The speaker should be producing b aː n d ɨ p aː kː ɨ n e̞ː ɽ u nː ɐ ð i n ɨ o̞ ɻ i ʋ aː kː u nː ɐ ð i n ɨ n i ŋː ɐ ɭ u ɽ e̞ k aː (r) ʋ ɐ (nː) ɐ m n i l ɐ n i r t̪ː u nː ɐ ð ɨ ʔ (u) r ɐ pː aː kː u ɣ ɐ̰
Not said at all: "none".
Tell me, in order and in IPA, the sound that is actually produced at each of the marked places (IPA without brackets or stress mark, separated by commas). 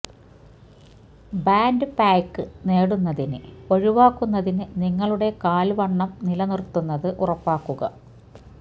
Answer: l, ɳː, u